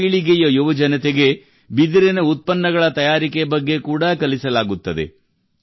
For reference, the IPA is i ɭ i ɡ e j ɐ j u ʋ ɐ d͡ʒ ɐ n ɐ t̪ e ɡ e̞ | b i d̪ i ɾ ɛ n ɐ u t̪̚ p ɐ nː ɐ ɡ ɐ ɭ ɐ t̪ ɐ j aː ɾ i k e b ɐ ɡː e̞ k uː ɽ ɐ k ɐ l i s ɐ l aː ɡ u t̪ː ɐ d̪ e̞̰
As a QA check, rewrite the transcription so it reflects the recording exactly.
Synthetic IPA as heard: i ɭ i ɡ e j ɐ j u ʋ ɐ d͡ʒ ɐ n ɐ t̪ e ɡ e̞ | b i d̪ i ɾ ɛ n ɐ u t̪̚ p ɐ nː ɐ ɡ ɐ ɭ ɐ t̪ ɐ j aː ɾ i k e b ɐ ɡː e̞ k uː ɽ ɐ k ɐ l i s ɐ l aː ɡ u t̪ː ɐ d̪ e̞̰